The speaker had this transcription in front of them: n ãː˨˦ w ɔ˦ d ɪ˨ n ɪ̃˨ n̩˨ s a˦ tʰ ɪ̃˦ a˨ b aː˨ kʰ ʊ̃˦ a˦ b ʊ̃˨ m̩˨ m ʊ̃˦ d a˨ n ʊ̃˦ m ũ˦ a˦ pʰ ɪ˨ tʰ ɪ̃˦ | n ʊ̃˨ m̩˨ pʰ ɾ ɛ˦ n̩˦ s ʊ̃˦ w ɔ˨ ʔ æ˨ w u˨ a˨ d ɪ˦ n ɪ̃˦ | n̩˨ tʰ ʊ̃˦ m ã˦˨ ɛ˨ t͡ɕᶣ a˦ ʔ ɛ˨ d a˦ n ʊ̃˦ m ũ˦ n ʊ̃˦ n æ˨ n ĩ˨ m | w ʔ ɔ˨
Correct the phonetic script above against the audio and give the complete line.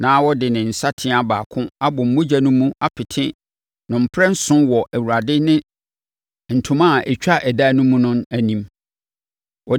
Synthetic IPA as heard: n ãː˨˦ w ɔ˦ d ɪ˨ n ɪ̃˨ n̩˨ s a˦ tʰ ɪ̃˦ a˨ b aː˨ kʰ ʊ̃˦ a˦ b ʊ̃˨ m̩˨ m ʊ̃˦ d͡ʑ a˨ n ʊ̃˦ m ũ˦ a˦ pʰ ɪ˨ tʰ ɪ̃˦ | n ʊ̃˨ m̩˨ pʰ ɾ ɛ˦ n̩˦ s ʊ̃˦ w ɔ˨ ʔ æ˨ w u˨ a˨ d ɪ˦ n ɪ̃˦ | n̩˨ tʰ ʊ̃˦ m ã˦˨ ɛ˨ t͡ɕᶣ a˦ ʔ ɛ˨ d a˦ n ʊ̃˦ m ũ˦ n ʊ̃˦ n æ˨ n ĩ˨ m | w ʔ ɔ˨